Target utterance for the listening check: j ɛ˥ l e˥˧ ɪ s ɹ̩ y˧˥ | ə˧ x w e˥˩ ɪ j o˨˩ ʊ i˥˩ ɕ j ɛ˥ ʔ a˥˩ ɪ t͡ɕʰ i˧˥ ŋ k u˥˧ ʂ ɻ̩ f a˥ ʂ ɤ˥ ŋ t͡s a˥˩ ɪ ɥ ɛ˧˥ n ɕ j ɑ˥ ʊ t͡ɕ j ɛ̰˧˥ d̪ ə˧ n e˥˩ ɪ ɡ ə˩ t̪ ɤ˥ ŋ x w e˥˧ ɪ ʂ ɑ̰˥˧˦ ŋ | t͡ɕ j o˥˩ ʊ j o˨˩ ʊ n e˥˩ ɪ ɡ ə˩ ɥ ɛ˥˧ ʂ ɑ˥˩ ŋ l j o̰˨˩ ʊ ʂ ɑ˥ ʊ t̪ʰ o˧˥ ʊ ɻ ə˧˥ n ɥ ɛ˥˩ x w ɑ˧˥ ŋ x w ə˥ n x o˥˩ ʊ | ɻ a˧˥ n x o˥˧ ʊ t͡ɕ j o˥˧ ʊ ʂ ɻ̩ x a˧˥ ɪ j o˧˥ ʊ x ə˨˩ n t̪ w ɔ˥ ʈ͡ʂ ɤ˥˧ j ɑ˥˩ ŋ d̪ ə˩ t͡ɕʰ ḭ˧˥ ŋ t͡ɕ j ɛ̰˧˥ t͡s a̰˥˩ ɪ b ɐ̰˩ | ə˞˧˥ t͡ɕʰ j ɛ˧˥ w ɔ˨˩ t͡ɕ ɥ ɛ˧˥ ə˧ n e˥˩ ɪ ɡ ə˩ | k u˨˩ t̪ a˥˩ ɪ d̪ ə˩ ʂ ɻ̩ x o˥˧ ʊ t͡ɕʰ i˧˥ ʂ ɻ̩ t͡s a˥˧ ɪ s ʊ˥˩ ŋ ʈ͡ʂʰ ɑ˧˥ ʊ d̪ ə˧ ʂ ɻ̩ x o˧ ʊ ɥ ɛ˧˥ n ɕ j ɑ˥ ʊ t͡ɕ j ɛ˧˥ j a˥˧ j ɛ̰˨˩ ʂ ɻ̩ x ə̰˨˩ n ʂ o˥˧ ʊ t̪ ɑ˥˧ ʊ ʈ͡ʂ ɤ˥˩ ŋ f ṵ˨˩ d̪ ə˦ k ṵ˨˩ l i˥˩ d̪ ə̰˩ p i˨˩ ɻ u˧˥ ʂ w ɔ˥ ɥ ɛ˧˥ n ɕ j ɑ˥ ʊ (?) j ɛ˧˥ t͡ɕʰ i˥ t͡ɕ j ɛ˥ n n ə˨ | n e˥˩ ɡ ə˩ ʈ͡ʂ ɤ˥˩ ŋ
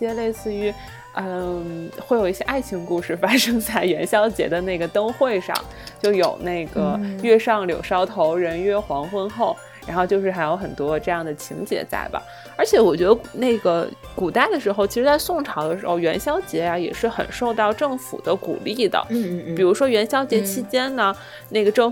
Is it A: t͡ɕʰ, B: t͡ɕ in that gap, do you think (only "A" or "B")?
B